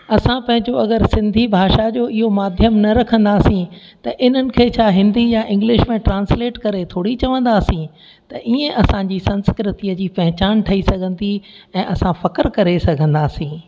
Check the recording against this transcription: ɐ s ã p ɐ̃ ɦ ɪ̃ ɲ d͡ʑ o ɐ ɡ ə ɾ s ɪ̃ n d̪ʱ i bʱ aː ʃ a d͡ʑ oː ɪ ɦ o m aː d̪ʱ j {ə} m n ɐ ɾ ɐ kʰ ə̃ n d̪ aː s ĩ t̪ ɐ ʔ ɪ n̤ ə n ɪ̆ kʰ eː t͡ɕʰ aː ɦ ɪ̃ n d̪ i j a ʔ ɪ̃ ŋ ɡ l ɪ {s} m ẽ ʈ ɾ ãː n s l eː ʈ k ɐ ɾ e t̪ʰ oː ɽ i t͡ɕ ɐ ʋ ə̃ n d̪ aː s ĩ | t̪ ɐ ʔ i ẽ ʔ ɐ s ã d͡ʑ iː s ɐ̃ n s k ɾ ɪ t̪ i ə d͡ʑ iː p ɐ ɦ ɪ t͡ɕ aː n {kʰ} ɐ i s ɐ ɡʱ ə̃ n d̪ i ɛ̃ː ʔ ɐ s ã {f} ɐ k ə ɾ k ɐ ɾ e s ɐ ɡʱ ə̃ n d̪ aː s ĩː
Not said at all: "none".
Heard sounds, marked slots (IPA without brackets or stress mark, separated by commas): ə, ʃ, ʈʰ, f